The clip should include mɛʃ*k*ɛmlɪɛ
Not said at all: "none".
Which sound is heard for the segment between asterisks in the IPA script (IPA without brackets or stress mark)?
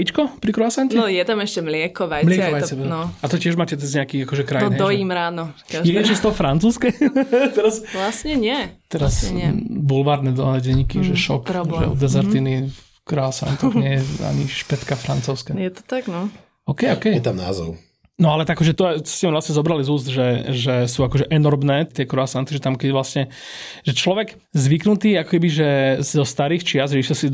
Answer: c